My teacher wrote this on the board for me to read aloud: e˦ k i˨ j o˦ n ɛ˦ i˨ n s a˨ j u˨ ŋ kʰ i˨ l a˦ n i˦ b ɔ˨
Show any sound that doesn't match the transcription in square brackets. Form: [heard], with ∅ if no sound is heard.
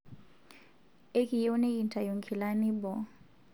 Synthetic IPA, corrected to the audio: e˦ k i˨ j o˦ n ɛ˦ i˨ n [t] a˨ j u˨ ŋ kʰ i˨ l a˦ n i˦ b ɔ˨